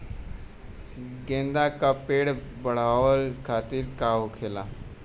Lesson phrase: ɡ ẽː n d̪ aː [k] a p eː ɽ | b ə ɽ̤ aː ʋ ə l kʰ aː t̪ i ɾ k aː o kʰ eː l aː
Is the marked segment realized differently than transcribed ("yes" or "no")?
no